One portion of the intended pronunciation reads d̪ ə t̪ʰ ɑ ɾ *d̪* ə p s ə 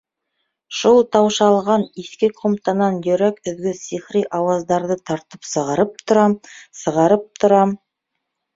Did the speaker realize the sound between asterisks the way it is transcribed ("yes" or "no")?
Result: no